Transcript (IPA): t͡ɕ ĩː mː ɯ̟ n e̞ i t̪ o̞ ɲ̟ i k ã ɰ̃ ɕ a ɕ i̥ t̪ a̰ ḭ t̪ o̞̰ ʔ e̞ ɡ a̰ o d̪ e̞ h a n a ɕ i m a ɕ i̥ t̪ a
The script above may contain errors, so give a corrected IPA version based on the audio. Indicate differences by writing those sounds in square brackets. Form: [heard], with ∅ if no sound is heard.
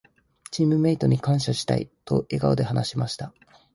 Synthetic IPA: t͡ɕ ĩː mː ɯ̟ [m] e̞ i t̪ o̞ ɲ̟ i k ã ɰ̃ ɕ a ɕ i̥ t̪ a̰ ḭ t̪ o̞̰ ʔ e̞ ɡ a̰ o d̪ e̞ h a n a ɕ i m a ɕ i̥ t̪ a